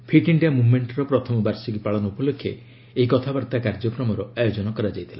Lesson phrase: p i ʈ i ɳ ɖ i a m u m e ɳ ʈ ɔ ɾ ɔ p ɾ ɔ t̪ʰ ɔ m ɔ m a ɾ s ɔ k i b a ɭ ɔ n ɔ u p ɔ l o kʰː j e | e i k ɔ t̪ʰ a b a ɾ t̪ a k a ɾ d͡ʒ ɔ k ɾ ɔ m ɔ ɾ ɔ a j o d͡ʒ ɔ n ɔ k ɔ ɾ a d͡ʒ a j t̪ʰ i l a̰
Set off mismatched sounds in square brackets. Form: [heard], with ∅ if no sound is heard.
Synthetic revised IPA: [pʰ] i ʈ i ɳ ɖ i a m u m e ɳ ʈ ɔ ɾ ɔ p ɾ ɔ t̪ʰ ɔ m ɔ [b] a ɾ s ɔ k i [p] a ɭ ɔ n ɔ u p ɔ l o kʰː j e | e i k ɔ t̪ʰ a b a ɾ t̪ a k a ɾ d͡ʒ ɔ k ɾ ɔ m ɔ ɾ ɔ a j o d͡ʒ ɔ n ɔ k ɔ ɾ a d͡ʒ a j t̪ʰ i l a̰